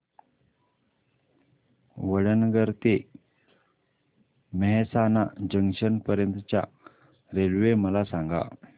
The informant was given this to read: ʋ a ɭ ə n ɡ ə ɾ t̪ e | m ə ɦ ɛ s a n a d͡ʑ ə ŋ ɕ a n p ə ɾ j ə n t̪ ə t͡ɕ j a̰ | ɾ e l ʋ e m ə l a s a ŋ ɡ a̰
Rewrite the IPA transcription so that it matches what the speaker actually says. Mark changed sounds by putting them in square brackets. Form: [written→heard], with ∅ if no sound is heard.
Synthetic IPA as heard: ʋ [a→ə] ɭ ə n ɡ ə ɾ t̪ e | m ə ɦ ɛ s a n a d͡ʑ ə ŋ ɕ [a→ə] n p ə ɾ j ə n t̪ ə t͡ɕ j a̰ | ɾ e l ʋ e m ə l a s a ŋ ɡ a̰